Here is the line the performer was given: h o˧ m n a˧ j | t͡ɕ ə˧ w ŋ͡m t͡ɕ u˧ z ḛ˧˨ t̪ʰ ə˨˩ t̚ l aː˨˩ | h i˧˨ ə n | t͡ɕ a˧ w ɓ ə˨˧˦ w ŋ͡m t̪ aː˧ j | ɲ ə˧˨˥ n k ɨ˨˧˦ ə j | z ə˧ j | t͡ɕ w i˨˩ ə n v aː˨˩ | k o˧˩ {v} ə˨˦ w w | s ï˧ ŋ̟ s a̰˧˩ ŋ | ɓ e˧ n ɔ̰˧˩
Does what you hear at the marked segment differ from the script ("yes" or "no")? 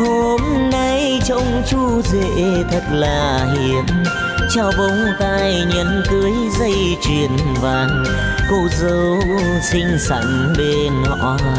yes